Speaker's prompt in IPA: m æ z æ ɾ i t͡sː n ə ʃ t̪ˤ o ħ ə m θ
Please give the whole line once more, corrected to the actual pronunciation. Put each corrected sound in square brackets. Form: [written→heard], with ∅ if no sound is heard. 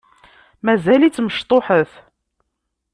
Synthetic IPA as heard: m æ z æ [ɾ→l] i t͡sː [n→m] ə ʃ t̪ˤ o ħ ə [m→∅] θ